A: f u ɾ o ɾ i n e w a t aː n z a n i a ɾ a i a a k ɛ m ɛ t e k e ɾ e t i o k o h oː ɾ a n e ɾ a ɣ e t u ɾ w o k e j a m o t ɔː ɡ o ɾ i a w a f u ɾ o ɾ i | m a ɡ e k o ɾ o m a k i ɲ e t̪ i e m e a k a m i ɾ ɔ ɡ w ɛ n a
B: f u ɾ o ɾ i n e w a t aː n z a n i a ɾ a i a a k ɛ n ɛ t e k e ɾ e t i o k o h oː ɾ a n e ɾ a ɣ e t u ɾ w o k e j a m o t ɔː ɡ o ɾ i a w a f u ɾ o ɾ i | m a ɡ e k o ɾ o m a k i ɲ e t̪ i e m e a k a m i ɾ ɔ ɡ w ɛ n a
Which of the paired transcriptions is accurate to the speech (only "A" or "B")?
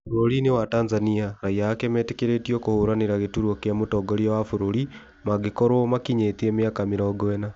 A